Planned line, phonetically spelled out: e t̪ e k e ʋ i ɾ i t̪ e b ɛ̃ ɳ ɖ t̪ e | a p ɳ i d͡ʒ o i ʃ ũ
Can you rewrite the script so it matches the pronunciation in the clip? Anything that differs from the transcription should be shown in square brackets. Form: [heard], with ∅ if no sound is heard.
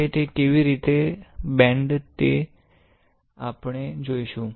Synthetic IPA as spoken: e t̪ e k e ʋ i ɾ i t̪ e b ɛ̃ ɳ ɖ t̪ e | a p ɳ [e] d͡ʒ o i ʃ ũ